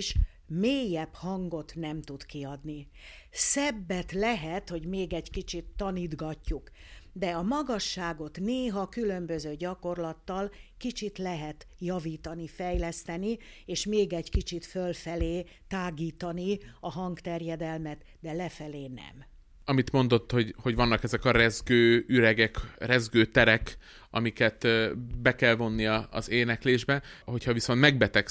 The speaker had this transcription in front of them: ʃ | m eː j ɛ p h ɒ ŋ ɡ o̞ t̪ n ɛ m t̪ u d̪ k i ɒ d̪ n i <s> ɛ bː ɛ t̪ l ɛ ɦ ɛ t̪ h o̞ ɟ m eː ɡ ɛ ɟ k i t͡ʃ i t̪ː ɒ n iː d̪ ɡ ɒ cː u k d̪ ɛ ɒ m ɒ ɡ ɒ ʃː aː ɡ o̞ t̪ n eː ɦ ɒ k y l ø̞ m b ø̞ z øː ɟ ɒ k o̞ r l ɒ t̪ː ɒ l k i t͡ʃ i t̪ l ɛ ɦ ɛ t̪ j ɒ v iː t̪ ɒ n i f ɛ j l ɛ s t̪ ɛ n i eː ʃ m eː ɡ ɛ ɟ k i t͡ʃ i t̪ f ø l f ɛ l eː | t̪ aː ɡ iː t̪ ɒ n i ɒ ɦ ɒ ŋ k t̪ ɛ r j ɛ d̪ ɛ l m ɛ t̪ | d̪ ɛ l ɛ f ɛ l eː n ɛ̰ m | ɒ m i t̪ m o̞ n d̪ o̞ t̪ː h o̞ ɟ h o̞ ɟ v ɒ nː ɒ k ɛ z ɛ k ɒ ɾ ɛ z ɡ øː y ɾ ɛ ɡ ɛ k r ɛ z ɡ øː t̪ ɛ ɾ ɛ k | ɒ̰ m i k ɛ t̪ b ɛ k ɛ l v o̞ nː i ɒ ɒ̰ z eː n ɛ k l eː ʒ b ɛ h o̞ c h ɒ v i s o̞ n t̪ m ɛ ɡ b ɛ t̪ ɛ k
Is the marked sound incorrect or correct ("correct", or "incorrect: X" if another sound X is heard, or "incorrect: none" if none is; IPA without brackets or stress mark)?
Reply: correct